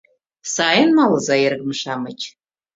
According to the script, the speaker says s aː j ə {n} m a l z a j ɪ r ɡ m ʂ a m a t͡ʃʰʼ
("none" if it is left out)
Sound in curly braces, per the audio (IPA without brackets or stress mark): n